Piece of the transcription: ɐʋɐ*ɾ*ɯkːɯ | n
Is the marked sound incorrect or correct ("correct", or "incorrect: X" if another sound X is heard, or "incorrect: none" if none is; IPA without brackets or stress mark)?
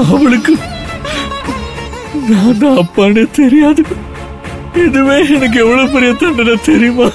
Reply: incorrect: ɭ